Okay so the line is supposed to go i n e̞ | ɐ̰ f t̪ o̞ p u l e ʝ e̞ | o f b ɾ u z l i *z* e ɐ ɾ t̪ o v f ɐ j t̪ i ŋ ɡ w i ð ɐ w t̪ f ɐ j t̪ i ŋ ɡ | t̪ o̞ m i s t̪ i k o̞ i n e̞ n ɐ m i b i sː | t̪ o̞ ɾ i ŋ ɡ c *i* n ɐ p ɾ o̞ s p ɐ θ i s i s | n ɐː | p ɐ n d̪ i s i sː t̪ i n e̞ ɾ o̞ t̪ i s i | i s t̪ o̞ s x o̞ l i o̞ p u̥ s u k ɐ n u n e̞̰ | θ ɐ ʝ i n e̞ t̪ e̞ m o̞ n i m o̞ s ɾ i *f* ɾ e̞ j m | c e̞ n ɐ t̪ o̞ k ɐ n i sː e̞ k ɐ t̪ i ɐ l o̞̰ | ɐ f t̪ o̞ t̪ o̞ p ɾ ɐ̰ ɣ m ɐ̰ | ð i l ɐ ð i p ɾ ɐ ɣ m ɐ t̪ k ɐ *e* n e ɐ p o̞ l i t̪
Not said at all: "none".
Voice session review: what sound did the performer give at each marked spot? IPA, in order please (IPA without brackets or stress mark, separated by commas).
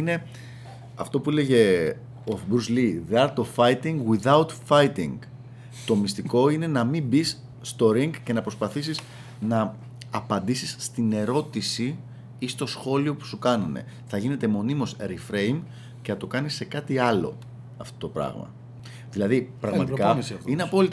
ð, e, f, i